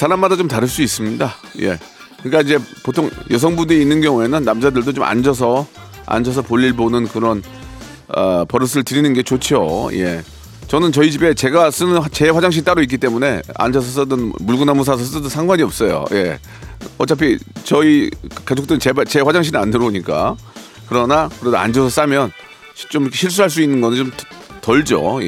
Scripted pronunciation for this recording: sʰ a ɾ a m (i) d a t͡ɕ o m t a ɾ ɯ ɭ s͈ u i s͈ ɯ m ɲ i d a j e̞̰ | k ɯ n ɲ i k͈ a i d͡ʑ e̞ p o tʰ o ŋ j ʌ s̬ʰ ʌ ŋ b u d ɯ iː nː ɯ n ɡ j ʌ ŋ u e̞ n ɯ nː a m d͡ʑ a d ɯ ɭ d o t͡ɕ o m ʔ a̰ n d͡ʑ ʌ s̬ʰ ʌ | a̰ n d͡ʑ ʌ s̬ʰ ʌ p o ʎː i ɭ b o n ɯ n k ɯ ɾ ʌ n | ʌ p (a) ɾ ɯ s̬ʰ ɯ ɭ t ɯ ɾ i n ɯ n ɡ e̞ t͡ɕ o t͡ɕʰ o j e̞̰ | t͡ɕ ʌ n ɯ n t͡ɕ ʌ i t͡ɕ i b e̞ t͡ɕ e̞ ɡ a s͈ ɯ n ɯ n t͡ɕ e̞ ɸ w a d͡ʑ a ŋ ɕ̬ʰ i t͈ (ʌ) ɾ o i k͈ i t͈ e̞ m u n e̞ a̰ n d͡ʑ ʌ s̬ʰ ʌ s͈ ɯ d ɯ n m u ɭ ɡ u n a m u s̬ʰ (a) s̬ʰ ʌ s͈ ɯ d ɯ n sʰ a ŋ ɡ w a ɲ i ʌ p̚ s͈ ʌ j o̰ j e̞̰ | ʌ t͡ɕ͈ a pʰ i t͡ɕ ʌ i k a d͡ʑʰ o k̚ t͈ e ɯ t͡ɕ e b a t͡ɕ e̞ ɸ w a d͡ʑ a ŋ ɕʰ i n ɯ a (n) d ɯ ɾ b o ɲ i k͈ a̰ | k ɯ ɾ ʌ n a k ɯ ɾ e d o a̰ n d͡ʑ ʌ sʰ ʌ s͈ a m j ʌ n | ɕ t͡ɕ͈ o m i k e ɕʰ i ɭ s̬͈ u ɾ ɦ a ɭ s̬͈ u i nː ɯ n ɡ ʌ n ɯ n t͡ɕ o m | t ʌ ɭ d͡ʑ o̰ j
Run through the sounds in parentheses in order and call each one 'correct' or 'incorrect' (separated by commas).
incorrect, incorrect, incorrect, correct, correct